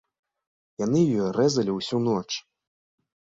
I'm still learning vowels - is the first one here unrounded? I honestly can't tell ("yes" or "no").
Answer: yes